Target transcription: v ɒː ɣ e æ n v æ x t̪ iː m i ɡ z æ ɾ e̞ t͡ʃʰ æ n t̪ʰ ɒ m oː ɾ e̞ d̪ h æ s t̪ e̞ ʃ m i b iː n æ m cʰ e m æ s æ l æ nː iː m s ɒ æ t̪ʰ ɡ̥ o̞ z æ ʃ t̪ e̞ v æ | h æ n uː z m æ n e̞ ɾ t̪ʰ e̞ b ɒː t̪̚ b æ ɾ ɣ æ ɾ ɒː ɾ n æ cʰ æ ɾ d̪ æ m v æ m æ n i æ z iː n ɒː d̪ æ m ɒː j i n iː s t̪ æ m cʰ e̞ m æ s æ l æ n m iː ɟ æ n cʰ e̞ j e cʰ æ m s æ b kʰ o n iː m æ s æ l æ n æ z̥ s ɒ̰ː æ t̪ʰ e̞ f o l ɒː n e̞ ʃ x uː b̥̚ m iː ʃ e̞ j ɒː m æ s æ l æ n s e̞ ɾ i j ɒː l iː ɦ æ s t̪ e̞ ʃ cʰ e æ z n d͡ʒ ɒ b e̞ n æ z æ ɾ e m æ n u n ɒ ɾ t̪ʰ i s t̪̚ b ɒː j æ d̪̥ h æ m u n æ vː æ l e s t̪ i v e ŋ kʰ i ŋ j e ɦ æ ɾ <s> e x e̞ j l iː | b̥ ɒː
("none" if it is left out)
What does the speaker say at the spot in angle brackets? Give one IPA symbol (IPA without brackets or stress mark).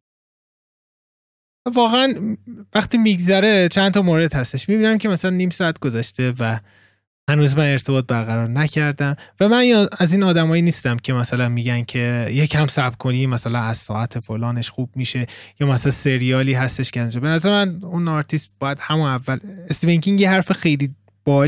f